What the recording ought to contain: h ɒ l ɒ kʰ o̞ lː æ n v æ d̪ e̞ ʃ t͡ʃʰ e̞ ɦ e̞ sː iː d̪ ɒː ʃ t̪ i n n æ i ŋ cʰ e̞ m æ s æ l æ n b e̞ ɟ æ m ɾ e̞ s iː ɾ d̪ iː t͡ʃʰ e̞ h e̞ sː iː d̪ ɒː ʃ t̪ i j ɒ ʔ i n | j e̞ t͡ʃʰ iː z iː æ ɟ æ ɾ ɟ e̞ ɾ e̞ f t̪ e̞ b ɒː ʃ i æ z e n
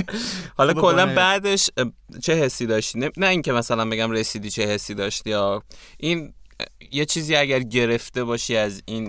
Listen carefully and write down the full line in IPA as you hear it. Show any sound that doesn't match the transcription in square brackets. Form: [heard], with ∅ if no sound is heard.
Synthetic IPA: h ɒ l ɒ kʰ o̞ lː æ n [b] æ d̪ e̞ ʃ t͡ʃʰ e̞ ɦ e̞ sː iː d̪ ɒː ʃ t̪ i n n æ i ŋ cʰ e̞ m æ s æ l æ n b e̞ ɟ æ m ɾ e̞ s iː [∅] d̪ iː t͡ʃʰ e̞ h e̞ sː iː d̪ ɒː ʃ t̪ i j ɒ ʔ i n | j e̞ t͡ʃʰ iː z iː æ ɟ æ ɾ ɟ e̞ ɾ e̞ f t̪ e̞ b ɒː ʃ i æ z [i] n